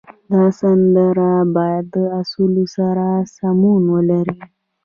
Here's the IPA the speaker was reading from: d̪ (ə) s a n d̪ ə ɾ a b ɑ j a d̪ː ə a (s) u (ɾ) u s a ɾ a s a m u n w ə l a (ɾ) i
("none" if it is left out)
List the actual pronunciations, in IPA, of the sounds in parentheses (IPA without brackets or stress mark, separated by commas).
ɑ, s, l, ɾ